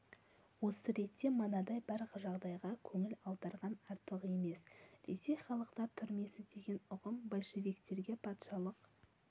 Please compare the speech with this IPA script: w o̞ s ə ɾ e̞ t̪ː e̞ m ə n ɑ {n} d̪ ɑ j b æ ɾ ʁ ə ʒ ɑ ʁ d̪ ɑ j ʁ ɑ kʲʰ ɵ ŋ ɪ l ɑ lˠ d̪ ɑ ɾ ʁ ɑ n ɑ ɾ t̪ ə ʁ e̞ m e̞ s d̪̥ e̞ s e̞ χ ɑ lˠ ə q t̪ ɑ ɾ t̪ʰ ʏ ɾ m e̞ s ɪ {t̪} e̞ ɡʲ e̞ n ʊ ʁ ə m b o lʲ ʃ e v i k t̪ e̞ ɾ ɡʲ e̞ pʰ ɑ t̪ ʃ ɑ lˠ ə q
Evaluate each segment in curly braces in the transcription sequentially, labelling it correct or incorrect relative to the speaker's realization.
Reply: incorrect: none, incorrect: d̪

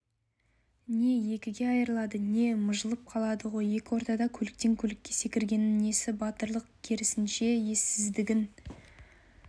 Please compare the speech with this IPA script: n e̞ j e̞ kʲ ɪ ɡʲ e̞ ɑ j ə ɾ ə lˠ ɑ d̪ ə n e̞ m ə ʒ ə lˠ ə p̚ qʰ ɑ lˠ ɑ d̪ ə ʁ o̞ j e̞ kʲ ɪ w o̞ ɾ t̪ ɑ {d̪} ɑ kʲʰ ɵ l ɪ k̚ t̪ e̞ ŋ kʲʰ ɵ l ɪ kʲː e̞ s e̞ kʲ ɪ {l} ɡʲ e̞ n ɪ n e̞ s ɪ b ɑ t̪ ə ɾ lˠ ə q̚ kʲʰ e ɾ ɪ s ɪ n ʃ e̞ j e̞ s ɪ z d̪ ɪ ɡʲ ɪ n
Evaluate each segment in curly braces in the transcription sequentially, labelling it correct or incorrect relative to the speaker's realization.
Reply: correct, incorrect: ɾ

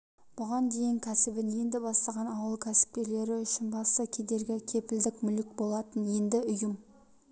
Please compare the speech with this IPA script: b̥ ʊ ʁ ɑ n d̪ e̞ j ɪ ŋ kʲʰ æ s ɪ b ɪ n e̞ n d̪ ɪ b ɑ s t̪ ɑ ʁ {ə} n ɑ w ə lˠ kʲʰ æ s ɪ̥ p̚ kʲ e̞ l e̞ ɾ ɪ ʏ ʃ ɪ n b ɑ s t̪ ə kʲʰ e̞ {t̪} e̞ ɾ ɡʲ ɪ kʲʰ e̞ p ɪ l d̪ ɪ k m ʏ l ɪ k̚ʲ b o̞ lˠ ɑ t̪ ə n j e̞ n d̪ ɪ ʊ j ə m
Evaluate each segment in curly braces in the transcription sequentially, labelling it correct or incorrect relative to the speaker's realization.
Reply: incorrect: ɑ, incorrect: d̪

